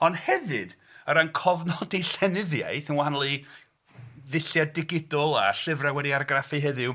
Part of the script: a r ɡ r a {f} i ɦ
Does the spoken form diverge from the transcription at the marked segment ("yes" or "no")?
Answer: no